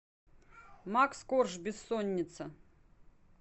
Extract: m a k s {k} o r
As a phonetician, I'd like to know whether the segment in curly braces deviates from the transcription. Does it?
no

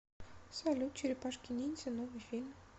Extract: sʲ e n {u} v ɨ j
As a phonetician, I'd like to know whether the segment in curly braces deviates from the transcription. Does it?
yes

